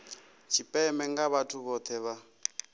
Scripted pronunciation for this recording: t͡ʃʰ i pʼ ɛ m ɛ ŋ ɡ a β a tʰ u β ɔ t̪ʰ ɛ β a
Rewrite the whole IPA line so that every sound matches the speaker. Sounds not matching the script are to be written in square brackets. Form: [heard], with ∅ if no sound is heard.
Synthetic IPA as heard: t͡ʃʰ i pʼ ɛ m ɛ ŋ ɡ a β a tʰ u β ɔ t̪ʰ ɛ β a